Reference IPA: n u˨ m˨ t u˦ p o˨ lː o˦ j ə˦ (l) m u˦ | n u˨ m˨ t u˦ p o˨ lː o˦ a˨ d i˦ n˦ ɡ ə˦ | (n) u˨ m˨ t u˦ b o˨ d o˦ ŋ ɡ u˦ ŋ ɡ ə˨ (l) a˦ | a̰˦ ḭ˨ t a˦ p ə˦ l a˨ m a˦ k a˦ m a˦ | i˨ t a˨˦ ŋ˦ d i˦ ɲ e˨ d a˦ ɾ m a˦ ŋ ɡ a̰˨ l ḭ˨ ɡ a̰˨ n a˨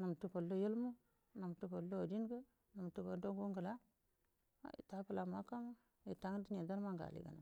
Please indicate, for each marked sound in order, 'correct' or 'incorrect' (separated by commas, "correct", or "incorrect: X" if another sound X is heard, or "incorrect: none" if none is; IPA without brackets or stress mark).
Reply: correct, correct, correct